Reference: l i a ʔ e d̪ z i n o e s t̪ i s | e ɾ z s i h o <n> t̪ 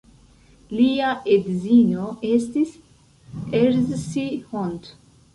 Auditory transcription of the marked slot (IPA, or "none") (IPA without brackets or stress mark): n